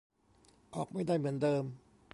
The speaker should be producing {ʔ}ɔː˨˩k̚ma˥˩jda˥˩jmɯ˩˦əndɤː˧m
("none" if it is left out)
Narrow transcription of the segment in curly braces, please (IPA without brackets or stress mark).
ʔ